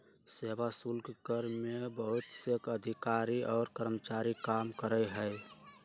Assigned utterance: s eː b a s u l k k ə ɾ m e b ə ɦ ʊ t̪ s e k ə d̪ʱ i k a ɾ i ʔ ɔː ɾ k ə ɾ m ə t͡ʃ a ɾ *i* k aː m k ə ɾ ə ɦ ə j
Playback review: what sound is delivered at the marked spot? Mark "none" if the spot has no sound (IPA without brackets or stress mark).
i